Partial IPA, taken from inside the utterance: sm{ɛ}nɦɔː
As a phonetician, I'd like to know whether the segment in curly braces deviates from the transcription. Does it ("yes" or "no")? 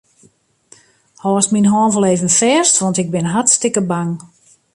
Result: yes